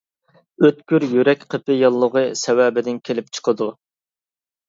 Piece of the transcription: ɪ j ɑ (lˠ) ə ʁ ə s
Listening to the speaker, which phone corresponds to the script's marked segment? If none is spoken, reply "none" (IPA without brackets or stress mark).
lˠː